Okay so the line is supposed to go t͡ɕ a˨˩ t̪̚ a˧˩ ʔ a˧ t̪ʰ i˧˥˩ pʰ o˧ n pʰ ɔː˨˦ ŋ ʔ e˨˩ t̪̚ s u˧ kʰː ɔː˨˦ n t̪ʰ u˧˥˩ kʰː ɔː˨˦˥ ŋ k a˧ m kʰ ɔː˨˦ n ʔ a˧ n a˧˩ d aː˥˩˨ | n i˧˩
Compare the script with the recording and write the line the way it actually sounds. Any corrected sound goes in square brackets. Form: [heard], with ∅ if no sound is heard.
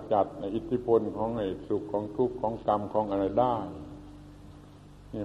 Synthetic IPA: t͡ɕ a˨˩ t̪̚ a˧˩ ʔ [i˧] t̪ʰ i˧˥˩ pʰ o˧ n [kʰ] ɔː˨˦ ŋ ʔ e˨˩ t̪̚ s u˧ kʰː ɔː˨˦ [ŋ] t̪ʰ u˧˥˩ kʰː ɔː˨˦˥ ŋ k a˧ m kʰ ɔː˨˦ [ŋ] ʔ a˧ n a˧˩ d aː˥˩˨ | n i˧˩